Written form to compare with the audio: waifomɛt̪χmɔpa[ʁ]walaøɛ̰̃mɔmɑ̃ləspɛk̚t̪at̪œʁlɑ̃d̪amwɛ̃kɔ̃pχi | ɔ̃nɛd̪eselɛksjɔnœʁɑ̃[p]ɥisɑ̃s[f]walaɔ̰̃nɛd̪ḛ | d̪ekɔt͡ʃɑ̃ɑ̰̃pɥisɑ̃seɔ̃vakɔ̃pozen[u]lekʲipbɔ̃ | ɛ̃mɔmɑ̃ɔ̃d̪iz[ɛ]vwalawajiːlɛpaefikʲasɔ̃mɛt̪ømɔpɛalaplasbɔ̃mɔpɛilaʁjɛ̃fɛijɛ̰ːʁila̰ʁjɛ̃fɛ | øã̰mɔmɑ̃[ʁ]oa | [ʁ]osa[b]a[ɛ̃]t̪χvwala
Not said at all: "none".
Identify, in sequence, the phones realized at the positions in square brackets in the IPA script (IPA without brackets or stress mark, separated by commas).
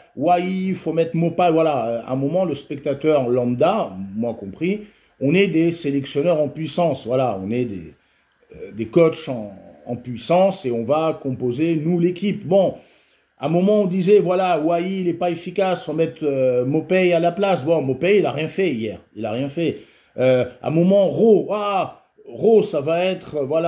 v, p, v, u, ɛ, ʁ, ʁ, v, ɛ